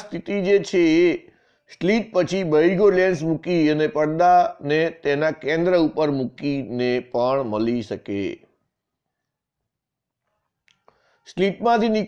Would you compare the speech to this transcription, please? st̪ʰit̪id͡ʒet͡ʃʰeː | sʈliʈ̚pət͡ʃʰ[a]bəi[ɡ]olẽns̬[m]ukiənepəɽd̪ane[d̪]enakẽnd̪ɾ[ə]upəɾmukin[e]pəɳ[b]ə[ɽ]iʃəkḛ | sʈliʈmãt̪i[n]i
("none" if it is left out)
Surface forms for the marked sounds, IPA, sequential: i, ɡ, m, t̪, ə, e, m, l, n

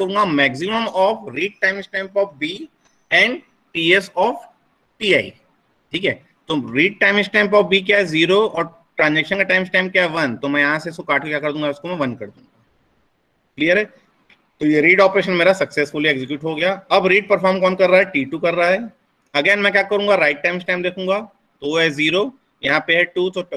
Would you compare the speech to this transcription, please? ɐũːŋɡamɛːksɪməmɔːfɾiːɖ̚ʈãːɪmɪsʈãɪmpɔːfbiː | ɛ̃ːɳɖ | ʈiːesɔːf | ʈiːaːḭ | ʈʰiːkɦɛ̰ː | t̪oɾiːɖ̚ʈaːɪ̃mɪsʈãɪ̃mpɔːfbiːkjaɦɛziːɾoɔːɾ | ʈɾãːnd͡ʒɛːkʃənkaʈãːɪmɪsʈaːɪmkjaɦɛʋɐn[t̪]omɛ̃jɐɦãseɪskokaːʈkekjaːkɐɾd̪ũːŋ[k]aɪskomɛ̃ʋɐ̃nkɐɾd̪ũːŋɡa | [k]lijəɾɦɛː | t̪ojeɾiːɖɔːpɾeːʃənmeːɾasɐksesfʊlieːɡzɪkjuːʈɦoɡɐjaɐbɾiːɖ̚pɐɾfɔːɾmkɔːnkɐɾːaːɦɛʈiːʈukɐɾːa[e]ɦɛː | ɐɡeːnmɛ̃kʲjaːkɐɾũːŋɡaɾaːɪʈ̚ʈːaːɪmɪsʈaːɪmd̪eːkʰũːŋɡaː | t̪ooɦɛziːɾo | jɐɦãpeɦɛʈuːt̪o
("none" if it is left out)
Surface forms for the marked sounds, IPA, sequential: t̪, ɡ, k, a

